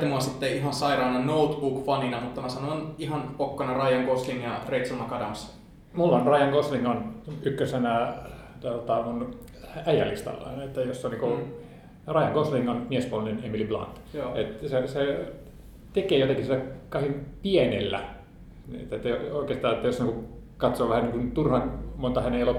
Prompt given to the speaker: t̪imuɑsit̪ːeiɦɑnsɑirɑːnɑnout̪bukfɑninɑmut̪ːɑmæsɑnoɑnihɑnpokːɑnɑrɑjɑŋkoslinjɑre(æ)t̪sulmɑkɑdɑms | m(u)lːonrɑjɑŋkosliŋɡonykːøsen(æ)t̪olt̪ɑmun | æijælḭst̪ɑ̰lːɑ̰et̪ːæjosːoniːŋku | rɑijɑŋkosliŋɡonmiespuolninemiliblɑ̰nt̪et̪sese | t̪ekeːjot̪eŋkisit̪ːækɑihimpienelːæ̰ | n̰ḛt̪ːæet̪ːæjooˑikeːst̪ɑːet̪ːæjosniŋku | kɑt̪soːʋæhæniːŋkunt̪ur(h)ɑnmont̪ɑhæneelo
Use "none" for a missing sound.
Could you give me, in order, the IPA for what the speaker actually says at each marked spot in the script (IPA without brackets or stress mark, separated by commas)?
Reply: i, u, æ, h